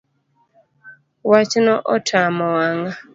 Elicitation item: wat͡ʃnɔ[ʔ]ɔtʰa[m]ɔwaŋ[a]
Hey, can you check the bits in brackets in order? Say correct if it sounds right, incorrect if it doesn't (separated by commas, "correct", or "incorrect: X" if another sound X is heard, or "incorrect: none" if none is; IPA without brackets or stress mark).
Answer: correct, correct, correct